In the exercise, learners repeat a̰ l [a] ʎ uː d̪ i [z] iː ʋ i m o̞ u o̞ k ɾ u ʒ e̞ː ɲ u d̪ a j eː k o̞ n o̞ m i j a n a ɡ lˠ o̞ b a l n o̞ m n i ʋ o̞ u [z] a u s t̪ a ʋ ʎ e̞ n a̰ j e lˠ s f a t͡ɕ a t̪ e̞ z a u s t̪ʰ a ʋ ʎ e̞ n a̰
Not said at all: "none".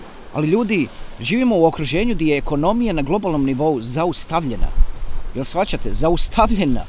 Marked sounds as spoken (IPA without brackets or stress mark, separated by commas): i, ʒ, z